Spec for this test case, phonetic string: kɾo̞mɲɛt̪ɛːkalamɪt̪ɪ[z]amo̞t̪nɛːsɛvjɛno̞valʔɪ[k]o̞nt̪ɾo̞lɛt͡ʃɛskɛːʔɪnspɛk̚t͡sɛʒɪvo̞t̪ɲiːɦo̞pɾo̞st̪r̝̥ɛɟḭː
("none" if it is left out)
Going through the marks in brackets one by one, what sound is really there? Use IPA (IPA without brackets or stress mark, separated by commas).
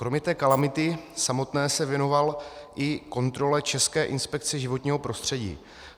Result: s, k